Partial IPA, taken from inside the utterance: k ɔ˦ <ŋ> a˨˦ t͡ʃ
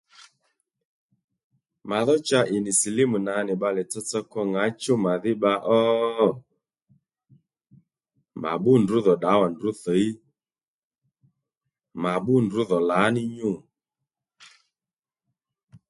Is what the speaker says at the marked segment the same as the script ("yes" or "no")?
yes